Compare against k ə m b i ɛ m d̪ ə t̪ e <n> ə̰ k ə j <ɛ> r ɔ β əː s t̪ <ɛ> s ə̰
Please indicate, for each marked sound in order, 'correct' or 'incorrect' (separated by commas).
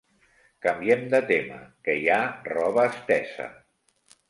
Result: incorrect, incorrect, correct